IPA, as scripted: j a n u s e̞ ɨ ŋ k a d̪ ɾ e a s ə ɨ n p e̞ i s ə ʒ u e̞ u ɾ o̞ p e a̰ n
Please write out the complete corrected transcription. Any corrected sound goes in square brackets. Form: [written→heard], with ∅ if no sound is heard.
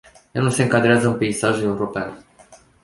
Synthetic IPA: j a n u s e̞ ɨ ŋ k a d̪ ɾ e a [s→z] ə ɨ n p e̞ i s [ə→a] ʒ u e̞ u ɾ o̞ p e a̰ n